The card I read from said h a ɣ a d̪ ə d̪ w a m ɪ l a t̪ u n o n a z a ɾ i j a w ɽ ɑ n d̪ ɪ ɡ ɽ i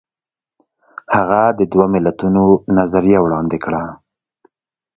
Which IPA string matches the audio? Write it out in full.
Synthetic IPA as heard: h a ɣ a d̪ ə d̪ w a m ɪ l a t̪ u n o n a z a ɾ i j a w ɽ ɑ n d̪ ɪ k ɽ a